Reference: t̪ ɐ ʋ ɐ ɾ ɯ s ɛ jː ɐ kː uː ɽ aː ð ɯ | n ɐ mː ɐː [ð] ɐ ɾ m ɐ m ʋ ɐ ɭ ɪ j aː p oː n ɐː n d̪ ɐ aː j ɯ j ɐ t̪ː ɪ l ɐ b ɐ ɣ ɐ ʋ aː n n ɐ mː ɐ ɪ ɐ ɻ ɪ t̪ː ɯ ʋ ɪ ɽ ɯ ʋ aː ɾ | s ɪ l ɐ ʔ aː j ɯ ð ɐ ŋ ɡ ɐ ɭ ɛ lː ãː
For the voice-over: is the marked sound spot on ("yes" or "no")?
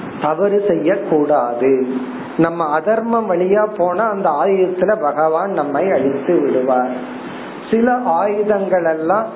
yes